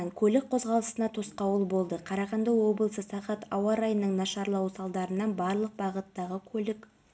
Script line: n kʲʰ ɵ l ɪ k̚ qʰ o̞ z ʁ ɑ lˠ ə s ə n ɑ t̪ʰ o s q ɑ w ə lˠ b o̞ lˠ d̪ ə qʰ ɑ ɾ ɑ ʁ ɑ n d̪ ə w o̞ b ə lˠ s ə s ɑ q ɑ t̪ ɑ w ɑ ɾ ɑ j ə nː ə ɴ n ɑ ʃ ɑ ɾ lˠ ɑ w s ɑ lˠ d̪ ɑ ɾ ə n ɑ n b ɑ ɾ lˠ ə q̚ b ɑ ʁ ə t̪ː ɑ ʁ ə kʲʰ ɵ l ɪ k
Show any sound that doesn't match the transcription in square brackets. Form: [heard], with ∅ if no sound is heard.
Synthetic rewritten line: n kʲʰ ɵ l ɪ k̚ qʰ o̞ z ʁ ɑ lˠ ə s ə n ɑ t̪ʰ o s q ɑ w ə lˠ b o̞ lˠ d̪ ə qʰ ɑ ɾ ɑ ʁ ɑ n d̪ [ɑ] w o̞ b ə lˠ s ə s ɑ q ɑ t̪ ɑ w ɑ ɾ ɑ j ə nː ə ɴ n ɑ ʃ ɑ ɾ lˠ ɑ w s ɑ lˠ d̪ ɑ ɾ ə n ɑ n b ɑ ɾ lˠ ə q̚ b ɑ ʁ ə t̪ː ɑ ʁ ə kʲʰ ɵ l ɪ k